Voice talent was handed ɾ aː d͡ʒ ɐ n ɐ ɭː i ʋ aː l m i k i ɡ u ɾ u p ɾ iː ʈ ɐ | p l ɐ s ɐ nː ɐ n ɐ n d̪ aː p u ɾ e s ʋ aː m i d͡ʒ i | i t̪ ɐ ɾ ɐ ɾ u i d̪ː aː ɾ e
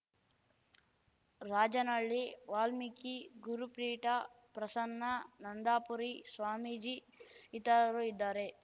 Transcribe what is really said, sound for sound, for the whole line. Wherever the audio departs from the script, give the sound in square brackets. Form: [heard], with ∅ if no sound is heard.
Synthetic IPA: ɾ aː d͡ʒ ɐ n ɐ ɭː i ʋ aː l m i k i ɡ u ɾ u p ɾ iː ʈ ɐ | p [ɾ] ɐ s ɐ nː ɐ n ɐ n d̪ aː p u ɾ [i] s ʋ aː m i d͡ʒ i | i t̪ ɐ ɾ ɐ ɾ u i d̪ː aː ɾ e